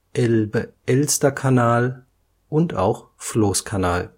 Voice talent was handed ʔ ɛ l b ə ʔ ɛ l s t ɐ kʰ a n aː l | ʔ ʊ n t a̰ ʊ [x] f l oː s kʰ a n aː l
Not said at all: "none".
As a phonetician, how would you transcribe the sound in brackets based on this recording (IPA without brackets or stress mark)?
x